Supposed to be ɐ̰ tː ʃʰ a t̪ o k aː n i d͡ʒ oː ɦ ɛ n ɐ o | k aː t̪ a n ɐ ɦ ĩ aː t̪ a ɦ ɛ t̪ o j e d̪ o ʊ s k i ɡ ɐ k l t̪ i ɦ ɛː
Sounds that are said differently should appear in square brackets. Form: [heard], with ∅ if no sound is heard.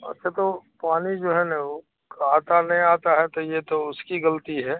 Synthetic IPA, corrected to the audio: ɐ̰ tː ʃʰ a t̪ o [p] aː n i d͡ʒ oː ɦ ɛ n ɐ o | k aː t̪ a n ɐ ɦ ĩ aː t̪ a ɦ ɛ t̪ o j e [t̪] o ʊ s k i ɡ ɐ [∅] l t̪ i ɦ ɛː